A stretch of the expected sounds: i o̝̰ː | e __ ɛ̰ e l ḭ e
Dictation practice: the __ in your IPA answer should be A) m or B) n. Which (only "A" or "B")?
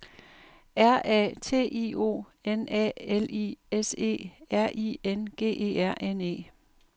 B